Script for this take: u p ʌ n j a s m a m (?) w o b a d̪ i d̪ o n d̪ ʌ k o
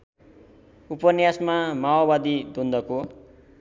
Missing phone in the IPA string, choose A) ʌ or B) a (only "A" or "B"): B